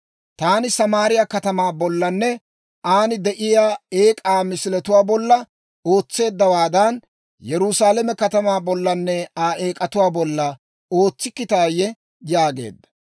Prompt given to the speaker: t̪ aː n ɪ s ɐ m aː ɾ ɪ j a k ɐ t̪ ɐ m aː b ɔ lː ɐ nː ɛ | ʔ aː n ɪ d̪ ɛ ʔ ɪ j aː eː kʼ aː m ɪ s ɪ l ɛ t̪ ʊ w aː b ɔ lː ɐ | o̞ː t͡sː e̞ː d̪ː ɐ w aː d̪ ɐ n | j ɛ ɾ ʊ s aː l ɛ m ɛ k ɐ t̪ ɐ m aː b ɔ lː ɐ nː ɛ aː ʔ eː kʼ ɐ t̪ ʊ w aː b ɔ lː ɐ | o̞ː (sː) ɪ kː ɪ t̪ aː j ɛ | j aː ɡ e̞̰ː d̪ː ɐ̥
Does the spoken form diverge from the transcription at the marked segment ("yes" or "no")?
yes